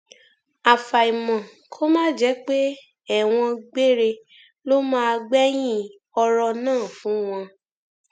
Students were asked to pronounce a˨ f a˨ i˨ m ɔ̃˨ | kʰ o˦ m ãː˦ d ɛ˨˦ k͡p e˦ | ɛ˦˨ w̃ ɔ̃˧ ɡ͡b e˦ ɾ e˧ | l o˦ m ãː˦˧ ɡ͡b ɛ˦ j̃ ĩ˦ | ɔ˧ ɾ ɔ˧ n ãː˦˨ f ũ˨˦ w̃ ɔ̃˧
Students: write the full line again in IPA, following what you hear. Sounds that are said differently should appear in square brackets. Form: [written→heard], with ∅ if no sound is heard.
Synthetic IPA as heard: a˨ f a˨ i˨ m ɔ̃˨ | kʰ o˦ m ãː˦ [d→d͡ʒ] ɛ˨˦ k͡p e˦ | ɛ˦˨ w̃ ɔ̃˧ ɡ͡b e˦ ɾ e˧ | l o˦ m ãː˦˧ ɡ͡b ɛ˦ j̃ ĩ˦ | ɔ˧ ɾ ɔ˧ n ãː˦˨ f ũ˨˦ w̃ ɔ̃˧

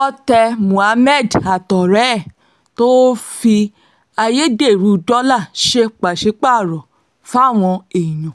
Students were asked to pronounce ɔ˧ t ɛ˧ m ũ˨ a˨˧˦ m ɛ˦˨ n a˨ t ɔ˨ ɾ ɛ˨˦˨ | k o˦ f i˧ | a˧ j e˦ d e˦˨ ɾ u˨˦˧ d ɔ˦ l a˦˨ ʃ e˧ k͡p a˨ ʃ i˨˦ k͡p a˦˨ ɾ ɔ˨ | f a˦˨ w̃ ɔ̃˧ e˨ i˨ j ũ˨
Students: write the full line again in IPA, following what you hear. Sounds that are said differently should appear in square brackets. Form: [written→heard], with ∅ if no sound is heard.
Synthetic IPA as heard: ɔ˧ t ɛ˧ m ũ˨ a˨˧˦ m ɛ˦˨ [n→d] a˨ t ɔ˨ ɾ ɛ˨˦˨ | [k→t] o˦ f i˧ | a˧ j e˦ d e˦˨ ɾ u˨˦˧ d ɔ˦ l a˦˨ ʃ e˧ k͡p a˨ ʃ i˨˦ k͡p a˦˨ ɾ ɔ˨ | f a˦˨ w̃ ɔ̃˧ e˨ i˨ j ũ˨

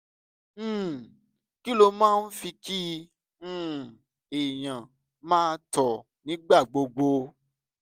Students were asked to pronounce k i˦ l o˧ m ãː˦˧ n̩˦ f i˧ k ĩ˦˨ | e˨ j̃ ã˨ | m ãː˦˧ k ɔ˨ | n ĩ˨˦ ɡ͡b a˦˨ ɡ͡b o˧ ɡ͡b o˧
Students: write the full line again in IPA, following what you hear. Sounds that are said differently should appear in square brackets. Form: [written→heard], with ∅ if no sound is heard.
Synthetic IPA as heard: k i˦ l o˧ m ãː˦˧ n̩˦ f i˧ k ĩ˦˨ | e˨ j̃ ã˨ | m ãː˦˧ [k→t] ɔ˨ | n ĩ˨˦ ɡ͡b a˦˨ ɡ͡b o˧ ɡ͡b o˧

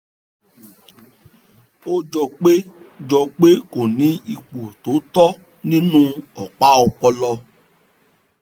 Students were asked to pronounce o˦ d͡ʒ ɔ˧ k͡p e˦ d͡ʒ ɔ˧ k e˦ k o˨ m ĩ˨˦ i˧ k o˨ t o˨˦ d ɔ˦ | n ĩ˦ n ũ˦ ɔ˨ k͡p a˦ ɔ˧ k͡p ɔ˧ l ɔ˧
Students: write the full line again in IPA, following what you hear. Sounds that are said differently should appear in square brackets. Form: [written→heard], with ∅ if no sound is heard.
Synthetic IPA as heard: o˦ d͡ʒ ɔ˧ k͡p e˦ d͡ʒ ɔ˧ [k→k͡p] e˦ k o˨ [m→n] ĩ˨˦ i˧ [k→k͡p] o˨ t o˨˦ [d→t] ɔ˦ | n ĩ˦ n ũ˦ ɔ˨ k͡p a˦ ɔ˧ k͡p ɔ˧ l ɔ˧

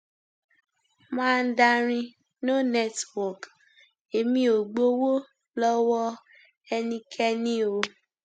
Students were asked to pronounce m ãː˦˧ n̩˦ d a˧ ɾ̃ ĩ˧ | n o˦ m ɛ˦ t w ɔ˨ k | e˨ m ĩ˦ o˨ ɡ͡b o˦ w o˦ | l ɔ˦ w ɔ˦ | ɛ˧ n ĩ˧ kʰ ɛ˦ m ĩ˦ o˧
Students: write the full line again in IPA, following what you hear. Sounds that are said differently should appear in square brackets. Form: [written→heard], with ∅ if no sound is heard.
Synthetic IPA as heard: m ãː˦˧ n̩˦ d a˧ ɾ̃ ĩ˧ | n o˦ [m→n] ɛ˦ t w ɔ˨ k | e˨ m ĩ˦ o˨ ɡ͡b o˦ w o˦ | l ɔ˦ w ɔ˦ | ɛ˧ n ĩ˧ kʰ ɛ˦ [m→n] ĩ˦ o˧

